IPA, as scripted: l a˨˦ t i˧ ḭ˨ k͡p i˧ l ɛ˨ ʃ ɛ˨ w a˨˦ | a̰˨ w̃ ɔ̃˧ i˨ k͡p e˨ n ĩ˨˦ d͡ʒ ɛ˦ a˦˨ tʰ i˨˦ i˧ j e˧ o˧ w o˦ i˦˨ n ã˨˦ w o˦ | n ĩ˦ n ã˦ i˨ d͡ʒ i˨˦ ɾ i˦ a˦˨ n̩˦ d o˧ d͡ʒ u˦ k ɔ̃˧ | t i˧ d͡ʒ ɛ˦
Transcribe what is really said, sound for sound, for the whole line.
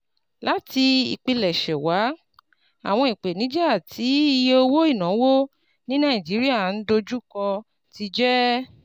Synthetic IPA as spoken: l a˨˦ t i˧ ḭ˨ k͡p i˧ l ɛ˨ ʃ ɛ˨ w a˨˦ | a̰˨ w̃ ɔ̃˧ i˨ k͡p e˨ n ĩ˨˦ d͡ʒ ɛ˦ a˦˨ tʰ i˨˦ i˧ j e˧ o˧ w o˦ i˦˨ n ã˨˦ w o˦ | n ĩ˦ n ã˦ i˨ d͡ʒ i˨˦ ɾ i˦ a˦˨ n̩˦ d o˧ d͡ʒ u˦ k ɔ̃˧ | t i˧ d͡ʒ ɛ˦